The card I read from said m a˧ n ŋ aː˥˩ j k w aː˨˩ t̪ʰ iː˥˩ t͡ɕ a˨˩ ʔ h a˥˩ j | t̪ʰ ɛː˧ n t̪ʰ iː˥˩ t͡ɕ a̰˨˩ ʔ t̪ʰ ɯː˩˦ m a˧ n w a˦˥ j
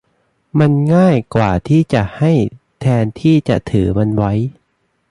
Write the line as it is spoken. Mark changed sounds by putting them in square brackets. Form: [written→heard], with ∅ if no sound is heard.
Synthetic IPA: m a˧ n ŋ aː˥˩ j k w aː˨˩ t̪ʰ iː˥˩ t͡ɕ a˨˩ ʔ h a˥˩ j | t̪ʰ ɛː˧ n t̪ʰ iː˥˩ t͡ɕ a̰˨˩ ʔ t̪ʰ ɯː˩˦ m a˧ n w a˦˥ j